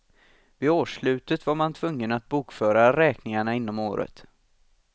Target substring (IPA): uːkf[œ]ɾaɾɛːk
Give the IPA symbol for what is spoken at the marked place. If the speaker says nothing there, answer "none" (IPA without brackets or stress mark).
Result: œː